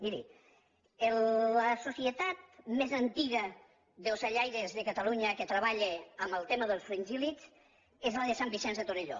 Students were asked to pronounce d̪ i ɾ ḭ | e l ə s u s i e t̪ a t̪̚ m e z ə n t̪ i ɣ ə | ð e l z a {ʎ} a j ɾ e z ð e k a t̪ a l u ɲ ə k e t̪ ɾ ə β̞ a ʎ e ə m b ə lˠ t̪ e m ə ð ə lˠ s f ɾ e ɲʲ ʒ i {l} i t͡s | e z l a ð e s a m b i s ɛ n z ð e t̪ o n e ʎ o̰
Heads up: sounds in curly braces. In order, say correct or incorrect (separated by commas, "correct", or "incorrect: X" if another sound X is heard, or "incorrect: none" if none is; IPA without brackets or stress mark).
correct, correct